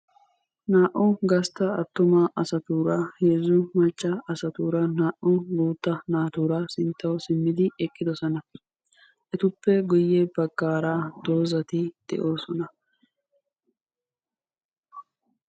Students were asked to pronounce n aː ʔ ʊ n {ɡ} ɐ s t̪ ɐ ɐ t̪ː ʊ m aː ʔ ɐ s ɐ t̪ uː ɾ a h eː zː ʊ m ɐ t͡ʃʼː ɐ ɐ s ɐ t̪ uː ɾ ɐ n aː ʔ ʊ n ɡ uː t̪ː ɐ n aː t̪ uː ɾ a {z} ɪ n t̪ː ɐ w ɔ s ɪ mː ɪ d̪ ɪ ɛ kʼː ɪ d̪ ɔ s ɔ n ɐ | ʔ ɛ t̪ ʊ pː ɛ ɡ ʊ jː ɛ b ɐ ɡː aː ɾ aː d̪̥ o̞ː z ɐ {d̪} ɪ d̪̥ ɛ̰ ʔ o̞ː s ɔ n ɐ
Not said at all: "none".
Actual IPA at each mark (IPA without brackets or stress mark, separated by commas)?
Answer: ɡ, s, t̪